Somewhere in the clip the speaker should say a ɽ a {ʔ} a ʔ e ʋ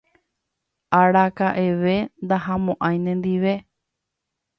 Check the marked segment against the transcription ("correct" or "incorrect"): incorrect